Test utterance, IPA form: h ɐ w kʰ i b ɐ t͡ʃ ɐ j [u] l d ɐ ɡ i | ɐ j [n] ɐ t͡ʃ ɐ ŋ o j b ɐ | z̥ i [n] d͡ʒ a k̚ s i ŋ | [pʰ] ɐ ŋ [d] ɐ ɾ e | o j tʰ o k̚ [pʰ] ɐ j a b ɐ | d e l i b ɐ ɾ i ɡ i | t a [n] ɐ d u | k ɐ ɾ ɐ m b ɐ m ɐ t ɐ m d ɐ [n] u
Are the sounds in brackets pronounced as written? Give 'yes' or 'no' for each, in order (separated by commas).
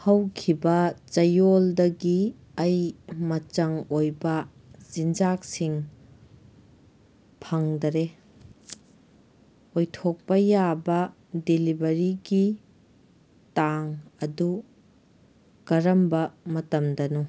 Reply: no, no, yes, yes, yes, no, no, yes